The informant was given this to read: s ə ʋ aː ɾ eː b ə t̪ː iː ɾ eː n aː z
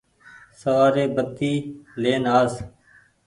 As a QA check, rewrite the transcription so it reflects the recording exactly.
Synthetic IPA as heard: s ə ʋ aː ɾ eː b ə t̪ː iː l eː n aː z